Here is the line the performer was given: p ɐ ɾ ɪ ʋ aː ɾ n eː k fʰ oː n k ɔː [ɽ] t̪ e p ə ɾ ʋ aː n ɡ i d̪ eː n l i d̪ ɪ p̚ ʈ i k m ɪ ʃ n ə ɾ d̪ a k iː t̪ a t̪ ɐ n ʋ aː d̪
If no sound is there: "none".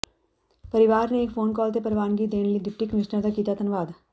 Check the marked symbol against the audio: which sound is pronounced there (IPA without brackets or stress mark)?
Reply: l